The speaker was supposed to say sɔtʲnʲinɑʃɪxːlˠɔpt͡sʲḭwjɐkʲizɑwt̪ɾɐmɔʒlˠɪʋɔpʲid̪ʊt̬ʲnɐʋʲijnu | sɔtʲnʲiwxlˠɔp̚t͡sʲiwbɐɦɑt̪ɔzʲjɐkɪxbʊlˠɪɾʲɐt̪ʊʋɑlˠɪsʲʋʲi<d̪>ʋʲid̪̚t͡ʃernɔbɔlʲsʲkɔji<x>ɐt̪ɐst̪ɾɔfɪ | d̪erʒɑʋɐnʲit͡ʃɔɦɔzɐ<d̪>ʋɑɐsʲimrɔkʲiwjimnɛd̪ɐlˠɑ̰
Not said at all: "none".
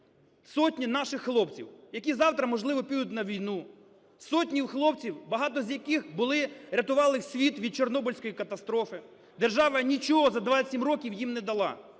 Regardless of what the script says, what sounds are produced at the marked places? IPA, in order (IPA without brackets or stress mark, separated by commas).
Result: t̪, k, d̪